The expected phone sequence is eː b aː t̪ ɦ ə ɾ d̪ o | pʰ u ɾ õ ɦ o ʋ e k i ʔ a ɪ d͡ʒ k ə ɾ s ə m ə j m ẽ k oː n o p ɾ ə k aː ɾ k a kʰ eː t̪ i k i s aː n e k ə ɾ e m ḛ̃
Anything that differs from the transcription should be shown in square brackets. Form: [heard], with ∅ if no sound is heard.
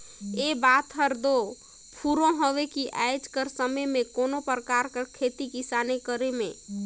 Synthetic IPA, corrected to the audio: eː b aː t̪ ɦ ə ɾ d̪ o | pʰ u ɾ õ ɦ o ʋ e k i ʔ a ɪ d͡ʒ k ə ɾ s ə m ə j m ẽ k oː n o p ɾ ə k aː ɾ k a kʰ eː t̪ i k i s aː n e k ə ɾ e m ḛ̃